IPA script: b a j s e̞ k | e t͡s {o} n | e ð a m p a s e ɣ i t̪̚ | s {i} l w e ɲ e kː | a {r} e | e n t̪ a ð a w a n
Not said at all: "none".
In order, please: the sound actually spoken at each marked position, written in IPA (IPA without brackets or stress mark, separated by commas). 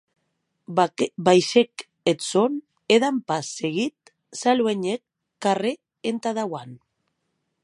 o, a, r